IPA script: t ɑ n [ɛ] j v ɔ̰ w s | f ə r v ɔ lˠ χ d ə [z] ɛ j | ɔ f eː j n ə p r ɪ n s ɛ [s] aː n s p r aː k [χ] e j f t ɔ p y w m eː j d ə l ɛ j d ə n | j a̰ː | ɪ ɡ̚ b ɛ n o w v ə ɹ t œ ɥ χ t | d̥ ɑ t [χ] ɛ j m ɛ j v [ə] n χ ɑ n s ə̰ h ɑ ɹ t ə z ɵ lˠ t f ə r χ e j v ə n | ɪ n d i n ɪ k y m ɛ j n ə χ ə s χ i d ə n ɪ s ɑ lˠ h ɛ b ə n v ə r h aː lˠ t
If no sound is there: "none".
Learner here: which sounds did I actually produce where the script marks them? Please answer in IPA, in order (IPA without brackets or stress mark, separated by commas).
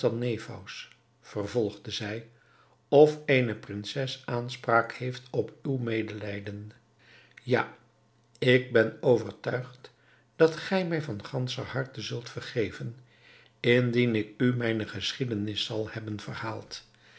e, z, s, h, χ, ɑ